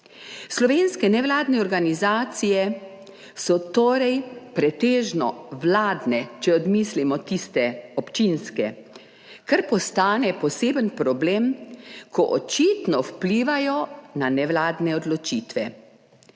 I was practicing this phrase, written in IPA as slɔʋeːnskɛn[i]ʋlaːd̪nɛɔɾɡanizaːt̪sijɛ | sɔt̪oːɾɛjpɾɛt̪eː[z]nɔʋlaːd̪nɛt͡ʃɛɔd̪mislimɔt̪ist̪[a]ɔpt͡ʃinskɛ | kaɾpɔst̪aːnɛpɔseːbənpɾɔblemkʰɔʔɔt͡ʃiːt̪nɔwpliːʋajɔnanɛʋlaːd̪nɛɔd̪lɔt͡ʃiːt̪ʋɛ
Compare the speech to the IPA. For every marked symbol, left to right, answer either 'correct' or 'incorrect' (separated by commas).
incorrect, incorrect, incorrect